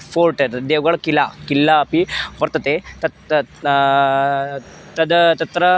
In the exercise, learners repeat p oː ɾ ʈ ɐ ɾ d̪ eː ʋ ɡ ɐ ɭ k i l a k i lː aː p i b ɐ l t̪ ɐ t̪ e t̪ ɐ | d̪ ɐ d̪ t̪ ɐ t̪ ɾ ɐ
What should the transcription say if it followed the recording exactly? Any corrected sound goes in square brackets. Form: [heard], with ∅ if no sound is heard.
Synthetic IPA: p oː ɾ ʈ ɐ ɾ d̪ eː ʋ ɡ ɐ ɭ k i l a k i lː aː p i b ɐ [ɾ] t̪ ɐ t̪ e t̪ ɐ | [t̪] ɐ d̪ t̪ ɐ t̪ ɾ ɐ